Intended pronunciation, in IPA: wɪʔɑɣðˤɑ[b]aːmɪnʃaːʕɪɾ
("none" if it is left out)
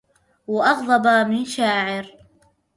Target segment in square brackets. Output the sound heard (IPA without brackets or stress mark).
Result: b